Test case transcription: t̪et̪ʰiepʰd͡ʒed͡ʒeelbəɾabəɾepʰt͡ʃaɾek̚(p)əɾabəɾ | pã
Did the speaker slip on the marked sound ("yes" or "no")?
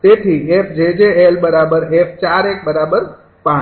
yes